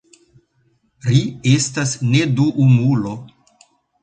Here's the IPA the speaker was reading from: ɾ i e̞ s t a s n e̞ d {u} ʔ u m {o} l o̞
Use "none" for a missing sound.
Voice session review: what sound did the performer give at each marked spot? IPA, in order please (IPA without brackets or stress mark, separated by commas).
u, u